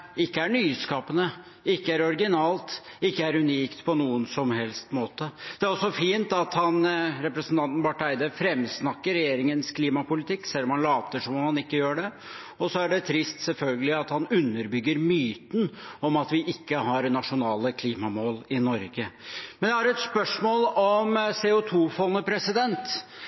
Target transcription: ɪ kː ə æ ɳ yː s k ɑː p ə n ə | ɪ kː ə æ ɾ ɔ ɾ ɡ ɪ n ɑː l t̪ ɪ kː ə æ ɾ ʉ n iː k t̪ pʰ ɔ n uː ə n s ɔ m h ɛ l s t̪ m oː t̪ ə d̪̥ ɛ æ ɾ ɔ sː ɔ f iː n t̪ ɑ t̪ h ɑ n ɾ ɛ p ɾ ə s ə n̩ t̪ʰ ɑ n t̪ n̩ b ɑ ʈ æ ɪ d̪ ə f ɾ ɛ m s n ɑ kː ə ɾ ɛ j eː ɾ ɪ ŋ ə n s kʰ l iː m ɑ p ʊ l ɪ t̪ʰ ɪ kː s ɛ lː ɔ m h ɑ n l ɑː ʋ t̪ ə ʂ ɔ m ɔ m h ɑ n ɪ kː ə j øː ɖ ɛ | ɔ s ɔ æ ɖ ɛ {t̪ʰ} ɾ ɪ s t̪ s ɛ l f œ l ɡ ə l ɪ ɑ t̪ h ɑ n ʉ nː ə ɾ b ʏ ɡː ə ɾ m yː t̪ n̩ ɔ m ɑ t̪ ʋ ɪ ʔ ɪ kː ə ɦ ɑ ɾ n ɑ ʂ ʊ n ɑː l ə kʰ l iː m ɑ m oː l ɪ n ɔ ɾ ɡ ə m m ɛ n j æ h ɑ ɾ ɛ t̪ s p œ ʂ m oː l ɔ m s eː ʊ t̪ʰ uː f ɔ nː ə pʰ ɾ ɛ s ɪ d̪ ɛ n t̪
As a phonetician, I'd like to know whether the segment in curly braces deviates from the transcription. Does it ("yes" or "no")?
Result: no